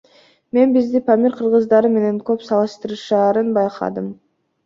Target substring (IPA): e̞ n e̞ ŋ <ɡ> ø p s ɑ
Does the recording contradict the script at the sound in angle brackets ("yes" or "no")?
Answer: yes